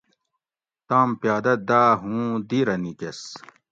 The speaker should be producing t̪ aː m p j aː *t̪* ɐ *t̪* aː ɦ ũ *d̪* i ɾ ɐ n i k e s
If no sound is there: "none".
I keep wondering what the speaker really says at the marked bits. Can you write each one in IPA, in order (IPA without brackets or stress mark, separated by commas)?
d̪, d̪, d̪